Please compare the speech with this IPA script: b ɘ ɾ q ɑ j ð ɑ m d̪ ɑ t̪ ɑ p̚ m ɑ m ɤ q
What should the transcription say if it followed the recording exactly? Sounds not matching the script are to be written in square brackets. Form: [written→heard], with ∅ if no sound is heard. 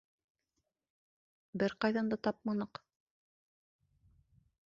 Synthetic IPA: b ɘ ɾ q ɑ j ð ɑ [m→n] d̪ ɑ t̪ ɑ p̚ m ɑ [m→n] ɤ q